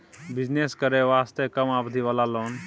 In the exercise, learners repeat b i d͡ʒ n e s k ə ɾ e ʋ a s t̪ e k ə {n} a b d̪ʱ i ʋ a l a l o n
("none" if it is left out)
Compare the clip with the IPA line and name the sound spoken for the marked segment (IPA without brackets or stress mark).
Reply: m